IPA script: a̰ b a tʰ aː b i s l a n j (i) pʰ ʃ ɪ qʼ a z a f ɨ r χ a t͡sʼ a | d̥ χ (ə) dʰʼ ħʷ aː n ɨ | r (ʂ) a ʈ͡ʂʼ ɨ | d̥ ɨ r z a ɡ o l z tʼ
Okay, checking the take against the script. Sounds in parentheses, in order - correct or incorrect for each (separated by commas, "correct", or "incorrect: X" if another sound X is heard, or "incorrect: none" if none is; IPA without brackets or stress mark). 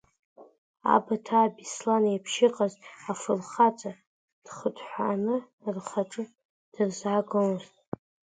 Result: incorrect: a, correct, incorrect: χ